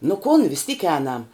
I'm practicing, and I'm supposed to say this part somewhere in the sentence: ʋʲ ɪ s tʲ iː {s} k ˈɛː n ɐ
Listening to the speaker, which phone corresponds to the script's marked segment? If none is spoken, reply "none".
none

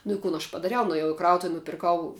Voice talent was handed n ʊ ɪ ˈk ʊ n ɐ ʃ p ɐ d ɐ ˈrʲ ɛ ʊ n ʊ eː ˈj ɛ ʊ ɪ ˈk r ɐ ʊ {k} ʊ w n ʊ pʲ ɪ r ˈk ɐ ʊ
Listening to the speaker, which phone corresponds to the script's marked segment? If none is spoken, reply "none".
t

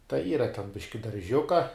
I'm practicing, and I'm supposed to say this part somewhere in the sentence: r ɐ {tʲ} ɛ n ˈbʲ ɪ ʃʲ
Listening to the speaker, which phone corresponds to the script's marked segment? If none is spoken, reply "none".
tʲ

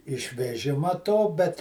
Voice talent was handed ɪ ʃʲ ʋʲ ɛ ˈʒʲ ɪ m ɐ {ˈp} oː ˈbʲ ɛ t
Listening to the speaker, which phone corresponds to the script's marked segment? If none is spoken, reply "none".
t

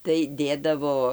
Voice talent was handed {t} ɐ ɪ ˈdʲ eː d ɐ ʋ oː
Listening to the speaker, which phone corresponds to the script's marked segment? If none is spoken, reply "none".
t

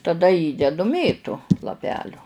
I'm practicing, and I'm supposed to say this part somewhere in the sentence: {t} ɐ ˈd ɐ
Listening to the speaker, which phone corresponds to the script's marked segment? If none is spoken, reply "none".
t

